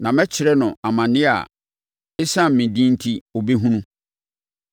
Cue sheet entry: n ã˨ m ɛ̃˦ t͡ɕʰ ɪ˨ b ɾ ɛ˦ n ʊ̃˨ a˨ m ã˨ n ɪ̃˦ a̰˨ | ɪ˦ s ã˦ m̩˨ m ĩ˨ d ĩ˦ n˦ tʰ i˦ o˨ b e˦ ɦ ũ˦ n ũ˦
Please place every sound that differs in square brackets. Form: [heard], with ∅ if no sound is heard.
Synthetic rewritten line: n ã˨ m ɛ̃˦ t͡ɕʰ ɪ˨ [∅] ɾ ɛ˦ n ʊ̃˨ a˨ m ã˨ n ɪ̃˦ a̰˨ | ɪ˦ s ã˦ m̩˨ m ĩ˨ d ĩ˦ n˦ tʰ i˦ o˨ b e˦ ɦ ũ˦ n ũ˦